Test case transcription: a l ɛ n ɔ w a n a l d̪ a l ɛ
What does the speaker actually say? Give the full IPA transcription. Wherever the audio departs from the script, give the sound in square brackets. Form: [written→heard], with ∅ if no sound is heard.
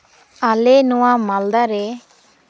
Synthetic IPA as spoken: a l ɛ n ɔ w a [n→m] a l d̪ a [l→ɾ] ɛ